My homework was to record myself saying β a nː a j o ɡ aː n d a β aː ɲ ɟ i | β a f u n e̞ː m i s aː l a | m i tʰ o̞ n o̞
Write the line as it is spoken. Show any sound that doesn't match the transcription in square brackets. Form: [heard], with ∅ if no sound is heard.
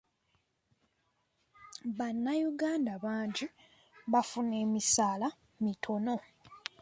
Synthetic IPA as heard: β a nː a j [u] ɡ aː n d a β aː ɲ ɟ i | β a f u n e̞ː m i s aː l a | m i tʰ o̞ n o̞